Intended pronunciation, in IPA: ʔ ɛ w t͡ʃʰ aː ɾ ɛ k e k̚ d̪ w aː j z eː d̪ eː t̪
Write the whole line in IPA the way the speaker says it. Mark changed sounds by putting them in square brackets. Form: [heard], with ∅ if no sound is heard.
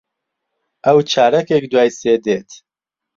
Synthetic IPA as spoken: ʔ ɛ w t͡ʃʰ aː ɾ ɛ k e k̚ d̪ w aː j [s] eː d̪ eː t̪